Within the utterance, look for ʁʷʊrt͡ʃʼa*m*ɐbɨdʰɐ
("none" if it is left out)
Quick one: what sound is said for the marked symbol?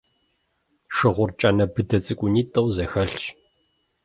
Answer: n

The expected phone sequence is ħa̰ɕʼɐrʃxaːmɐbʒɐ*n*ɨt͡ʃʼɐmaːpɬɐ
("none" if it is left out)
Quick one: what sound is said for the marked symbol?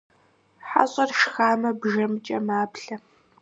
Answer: m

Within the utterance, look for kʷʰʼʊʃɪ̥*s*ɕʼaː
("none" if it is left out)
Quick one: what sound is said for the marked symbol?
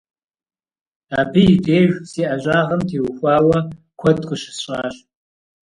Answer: s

